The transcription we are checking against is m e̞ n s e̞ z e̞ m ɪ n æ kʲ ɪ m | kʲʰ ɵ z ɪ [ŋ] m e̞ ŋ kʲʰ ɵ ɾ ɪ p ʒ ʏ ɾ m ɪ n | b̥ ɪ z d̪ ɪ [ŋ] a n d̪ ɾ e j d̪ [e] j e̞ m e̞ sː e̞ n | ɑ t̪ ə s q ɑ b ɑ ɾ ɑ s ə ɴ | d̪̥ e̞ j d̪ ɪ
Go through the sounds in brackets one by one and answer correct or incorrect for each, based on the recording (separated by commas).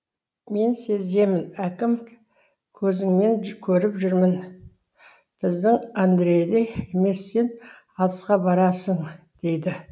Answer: correct, correct, correct